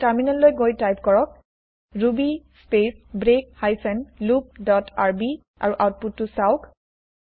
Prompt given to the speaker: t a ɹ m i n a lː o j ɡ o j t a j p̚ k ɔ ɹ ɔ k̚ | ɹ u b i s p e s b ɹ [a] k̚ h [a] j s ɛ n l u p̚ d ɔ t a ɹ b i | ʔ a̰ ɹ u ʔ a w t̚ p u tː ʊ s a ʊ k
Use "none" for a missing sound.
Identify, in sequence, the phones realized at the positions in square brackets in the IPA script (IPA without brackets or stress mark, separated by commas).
e, a